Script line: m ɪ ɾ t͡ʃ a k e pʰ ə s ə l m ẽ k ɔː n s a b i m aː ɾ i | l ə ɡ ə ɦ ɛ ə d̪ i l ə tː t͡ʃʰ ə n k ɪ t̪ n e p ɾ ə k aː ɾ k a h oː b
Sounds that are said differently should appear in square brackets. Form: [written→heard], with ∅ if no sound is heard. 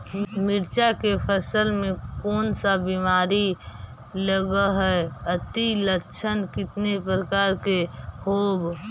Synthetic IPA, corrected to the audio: m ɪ ɾ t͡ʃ a k e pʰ ə s ə l m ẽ k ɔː n s a b i m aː ɾ i | l ə ɡ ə ɦ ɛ ə [d̪→t̪] i l ə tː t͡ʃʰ ə n k ɪ t̪ n e p ɾ ə k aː ɾ k [a→e] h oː b